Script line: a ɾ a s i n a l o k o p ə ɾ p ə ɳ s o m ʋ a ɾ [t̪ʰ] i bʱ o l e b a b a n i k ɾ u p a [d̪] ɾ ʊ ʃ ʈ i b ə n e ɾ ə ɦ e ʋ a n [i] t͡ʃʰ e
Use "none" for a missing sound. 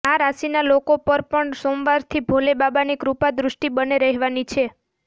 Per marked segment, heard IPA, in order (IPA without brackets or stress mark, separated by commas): t̪ʰ, d̪, i